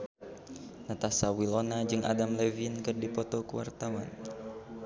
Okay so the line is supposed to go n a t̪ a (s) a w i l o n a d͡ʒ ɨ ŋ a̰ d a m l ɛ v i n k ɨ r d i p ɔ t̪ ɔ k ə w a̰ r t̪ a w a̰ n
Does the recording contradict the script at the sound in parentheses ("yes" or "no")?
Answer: no